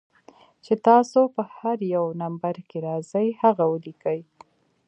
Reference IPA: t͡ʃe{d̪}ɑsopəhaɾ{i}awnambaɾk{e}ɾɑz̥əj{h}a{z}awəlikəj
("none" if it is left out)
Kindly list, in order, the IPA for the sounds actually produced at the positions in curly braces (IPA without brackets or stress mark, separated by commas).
t̪, j, e, h, ɣ